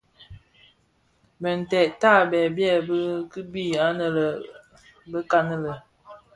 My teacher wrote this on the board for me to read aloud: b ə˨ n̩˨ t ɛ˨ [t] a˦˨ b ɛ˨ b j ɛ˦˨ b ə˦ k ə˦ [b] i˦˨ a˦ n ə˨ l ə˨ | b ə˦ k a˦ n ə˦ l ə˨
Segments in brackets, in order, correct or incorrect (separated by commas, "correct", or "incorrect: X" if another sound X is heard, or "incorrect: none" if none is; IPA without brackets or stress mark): correct, correct